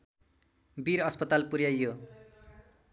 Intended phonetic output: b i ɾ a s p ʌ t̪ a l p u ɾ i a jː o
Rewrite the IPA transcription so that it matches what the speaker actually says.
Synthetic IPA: b i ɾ ʌ s p ʌ t̪ a l p u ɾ j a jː o